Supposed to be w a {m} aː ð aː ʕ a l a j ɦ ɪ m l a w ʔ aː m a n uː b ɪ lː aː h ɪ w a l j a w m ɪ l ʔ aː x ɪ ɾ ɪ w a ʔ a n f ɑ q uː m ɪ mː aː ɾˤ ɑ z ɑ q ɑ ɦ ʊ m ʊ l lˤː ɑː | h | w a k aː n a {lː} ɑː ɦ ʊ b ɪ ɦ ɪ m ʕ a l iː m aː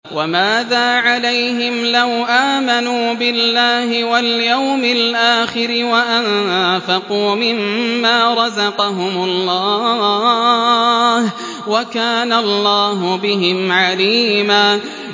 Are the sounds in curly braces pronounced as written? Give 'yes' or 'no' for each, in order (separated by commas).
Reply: yes, yes